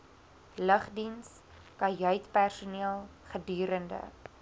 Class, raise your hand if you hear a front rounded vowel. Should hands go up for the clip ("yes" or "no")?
yes